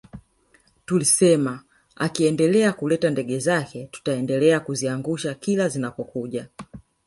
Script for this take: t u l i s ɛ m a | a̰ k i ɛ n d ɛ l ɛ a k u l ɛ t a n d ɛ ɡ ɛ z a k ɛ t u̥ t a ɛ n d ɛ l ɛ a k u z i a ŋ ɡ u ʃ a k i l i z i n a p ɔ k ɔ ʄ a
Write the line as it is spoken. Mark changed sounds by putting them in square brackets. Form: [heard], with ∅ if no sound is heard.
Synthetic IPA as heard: t u l i s ɛ m a | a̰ k i ɛ n d ɛ l ɛ a k u l ɛ t a n d ɛ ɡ ɛ z a k ɛ t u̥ t a ɛ n d ɛ l ɛ a k u z i a ŋ ɡ u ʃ a k i l [a] z i n a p ɔ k [u] ʄ a